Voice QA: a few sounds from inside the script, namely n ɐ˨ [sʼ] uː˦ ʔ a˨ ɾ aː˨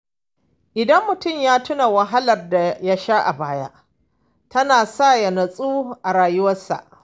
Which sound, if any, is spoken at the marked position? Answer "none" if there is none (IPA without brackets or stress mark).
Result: sʼ